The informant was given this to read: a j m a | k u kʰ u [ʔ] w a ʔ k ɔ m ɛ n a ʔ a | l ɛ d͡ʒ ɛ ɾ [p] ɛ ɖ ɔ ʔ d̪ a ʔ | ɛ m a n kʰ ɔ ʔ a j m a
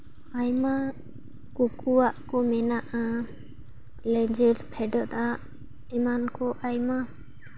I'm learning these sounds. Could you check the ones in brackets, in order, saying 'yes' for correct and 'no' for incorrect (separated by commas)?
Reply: no, no